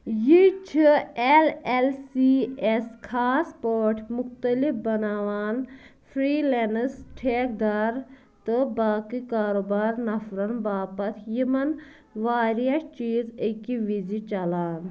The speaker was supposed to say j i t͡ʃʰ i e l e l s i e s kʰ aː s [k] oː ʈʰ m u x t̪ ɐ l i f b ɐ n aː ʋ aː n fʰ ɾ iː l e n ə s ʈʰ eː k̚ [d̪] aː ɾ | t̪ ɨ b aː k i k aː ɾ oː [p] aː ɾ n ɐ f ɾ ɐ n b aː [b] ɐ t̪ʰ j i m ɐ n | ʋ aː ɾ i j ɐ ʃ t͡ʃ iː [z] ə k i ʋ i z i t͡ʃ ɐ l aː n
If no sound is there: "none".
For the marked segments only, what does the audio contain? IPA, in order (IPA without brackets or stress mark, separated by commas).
p, d̪, b, p, z